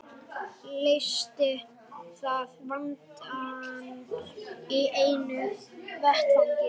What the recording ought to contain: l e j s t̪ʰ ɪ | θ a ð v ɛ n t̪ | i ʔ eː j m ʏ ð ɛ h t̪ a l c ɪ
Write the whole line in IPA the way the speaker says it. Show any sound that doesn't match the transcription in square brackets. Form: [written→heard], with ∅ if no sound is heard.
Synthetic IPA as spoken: l e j s [t̪ʰ→t̪] ɪ | θ a ð v [ɛ→a] n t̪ | i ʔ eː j [m→n] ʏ [ð→v] ɛ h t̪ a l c ɪ